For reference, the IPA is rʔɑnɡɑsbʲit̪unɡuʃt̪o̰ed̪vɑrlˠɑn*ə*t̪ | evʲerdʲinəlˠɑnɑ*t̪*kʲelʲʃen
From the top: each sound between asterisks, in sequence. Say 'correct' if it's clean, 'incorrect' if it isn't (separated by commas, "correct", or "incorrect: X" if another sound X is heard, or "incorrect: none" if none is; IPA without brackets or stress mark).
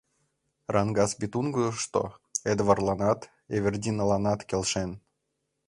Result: incorrect: ɑ, correct